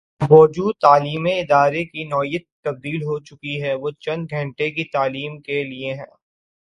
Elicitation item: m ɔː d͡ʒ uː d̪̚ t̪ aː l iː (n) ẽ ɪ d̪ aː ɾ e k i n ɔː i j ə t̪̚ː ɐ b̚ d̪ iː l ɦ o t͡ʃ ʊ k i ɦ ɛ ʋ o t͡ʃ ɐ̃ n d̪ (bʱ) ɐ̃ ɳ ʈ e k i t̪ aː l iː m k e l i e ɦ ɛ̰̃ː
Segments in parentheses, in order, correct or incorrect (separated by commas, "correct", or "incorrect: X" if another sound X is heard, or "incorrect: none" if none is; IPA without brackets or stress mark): incorrect: m, incorrect: ɡʱ